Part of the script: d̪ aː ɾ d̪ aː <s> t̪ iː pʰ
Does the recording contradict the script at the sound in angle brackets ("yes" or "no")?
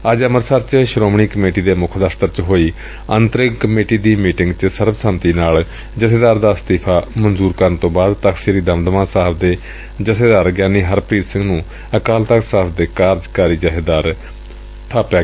no